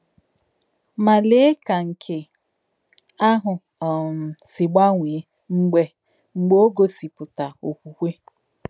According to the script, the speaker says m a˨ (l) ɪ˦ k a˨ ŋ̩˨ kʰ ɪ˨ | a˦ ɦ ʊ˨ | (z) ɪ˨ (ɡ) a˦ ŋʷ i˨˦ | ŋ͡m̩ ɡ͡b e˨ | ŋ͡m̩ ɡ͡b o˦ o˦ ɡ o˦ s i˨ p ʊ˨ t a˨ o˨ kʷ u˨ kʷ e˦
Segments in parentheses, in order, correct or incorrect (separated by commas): correct, incorrect, incorrect